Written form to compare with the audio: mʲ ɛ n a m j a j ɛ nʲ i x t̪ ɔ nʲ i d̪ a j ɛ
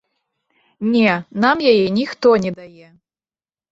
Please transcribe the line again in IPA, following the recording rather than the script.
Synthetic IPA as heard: nʲ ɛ n a m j a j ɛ nʲ i x t̪ ɔ nʲ ɛ d̪ a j ɛ